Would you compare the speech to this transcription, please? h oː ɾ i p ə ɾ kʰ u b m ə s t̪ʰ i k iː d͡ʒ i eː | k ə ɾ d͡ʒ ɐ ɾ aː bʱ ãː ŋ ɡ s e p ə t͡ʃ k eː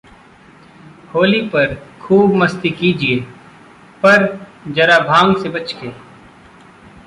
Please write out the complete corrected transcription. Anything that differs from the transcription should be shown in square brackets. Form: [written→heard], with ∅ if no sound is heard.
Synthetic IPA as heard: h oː [ɾ→l] i p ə ɾ kʰ [u→uː] b m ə s [t̪ʰ→t̪] i k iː d͡ʒ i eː | [k→p] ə ɾ d͡ʒ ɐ ɾ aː bʱ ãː ŋ ɡ s e [p→b] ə t͡ʃ k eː